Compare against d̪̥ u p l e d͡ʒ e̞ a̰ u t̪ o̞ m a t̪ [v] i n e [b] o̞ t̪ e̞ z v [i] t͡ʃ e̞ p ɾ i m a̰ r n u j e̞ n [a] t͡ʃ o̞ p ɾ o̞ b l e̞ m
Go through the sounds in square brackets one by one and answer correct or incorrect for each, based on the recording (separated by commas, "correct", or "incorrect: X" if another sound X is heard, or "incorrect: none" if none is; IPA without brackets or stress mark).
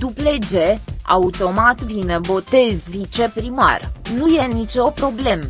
correct, correct, correct, incorrect: i